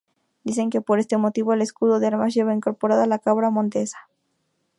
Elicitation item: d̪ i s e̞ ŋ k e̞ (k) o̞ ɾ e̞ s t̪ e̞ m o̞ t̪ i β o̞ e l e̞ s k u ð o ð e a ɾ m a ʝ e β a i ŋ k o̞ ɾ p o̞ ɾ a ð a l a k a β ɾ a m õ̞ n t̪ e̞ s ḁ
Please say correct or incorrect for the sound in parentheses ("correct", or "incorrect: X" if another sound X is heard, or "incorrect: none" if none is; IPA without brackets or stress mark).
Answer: incorrect: p